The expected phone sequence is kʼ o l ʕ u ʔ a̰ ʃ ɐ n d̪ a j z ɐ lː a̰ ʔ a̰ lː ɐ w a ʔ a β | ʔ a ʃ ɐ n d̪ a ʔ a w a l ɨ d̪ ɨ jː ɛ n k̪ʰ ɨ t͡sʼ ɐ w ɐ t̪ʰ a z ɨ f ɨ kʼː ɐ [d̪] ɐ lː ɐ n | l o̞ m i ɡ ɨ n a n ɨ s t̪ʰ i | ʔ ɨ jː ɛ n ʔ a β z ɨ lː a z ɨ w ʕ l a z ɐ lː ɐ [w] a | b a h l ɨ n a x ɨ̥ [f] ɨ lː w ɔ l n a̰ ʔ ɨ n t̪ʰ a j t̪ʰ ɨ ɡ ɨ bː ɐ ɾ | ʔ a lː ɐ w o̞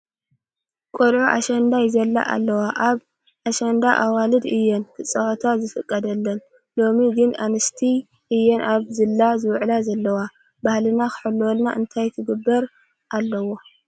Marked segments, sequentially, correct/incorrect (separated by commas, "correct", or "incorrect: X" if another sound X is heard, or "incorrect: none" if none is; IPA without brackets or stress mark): correct, correct, incorrect: ħ